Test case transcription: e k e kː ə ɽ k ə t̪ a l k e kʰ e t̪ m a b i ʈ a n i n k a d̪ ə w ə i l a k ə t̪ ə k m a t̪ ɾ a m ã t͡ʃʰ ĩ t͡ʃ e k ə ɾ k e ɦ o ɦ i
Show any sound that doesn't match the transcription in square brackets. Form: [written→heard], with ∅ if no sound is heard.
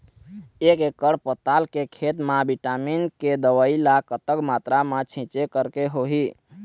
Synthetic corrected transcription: e k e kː ə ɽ [k→p] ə t̪ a l k e kʰ e t̪ m a b i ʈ a [n→m] i n k [a→e] d̪ ə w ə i l a k ə t̪ ə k m a t̪ ɾ a m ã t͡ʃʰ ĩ t͡ʃ e k ə ɾ k e ɦ o ɦ i